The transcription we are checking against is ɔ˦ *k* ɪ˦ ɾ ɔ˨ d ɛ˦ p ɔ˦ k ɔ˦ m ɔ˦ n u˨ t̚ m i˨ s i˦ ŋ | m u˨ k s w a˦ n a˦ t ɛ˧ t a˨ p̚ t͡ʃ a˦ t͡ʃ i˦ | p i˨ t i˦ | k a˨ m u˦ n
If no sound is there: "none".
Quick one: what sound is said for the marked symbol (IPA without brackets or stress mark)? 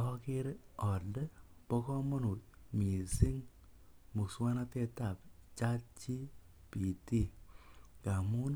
k